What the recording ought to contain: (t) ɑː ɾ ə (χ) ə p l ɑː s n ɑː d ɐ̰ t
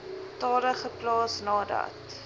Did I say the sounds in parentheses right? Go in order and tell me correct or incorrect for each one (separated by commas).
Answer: correct, correct